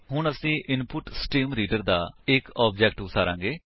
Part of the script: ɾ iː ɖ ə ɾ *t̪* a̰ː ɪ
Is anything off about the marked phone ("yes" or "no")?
yes